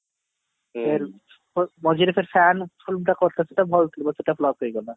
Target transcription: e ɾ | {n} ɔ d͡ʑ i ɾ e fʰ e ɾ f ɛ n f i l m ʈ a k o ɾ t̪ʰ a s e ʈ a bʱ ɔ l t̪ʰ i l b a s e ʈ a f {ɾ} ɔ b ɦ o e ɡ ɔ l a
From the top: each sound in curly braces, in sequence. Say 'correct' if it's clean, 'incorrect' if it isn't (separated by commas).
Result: incorrect, incorrect